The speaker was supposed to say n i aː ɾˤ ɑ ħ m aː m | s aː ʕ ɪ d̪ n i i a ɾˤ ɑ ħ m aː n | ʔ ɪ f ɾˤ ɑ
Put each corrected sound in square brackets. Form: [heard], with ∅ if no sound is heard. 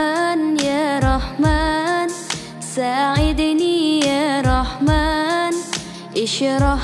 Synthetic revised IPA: n [j] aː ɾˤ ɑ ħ m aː [n] | s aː ʕ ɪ d̪ n i [j] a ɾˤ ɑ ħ m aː n | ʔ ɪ [ʃ] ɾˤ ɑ